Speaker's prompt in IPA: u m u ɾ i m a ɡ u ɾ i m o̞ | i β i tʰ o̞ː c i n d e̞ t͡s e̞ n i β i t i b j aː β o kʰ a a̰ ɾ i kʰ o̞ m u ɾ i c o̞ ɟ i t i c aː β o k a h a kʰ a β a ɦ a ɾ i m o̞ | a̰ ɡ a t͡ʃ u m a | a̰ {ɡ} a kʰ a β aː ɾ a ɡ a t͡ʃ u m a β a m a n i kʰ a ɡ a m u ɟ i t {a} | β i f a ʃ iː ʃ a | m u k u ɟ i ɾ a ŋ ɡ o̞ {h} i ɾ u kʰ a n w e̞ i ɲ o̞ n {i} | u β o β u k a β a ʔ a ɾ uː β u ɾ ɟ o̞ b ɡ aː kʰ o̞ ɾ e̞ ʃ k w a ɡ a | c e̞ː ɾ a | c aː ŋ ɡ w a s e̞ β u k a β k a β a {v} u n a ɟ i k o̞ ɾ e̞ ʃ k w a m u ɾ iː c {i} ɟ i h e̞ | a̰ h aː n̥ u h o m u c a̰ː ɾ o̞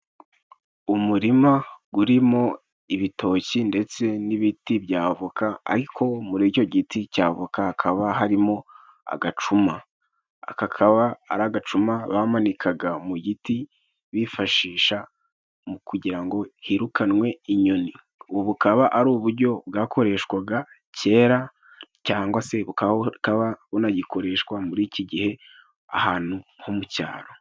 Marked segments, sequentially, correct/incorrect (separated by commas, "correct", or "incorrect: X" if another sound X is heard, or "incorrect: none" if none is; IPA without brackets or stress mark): incorrect: k, incorrect: i, correct, correct, incorrect: β, correct